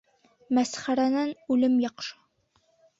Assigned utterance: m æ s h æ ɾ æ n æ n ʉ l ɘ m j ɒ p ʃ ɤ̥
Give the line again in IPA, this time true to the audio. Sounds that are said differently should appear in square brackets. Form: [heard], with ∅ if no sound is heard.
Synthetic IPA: m æ s [χ] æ ɾ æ n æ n ʉ l ɘ m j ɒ [q] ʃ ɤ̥